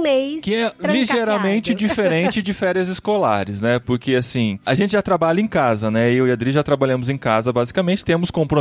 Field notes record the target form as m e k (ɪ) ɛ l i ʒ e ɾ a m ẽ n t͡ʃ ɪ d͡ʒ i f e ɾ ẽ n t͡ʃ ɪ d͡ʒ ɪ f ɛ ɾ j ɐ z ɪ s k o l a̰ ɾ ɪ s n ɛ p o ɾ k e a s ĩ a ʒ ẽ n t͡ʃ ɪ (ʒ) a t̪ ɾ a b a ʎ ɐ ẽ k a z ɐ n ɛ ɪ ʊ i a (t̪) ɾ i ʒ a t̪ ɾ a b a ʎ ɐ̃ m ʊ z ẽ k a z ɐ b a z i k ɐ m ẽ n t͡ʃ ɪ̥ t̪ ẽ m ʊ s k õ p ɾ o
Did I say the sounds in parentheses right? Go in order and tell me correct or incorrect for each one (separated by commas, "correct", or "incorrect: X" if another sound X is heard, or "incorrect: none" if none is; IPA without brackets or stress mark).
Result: correct, correct, incorrect: d̪